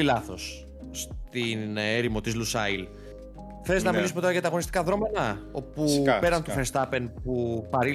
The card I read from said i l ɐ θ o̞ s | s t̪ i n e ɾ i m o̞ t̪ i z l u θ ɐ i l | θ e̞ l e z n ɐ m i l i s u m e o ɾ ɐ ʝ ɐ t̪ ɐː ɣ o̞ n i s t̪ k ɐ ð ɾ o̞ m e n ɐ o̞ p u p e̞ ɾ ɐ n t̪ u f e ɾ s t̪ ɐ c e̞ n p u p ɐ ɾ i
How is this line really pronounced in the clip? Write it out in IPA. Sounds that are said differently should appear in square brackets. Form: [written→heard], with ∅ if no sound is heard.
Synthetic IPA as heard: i l ɐ θ o̞ s | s t̪ i n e ɾ i m o̞ t̪ i z l u [θ→s] ɐ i l | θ e̞ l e z n ɐ m i l i s u m e o ɾ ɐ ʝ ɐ t̪ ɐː ɣ o̞ n i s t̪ k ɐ ð ɾ o̞ m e n ɐ o̞ p u p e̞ ɾ ɐ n t̪ u f e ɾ s t̪ ɐ [c→p] e̞ n p u p ɐ ɾ i